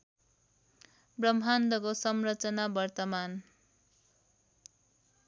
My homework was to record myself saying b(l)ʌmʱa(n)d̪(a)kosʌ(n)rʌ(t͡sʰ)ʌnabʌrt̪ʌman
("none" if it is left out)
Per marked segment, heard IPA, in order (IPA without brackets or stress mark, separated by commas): r, n, ʌ, m, t͡s